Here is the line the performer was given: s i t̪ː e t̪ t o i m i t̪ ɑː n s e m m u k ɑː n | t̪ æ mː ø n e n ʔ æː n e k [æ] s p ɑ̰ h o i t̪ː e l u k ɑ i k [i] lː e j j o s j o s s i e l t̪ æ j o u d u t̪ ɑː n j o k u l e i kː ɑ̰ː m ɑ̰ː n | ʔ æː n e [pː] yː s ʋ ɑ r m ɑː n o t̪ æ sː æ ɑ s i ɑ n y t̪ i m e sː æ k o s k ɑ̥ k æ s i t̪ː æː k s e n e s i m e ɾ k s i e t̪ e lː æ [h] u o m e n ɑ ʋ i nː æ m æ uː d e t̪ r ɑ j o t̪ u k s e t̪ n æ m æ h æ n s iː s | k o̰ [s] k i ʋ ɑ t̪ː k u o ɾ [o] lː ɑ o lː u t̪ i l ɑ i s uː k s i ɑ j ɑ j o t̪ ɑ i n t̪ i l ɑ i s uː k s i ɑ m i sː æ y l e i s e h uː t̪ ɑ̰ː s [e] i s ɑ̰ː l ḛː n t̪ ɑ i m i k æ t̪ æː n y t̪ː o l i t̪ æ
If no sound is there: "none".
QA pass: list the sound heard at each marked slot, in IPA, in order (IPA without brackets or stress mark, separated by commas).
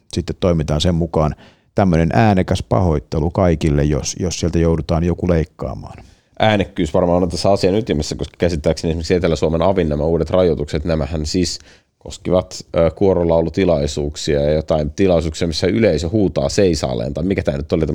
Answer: æ, i, kː, s, s, o, e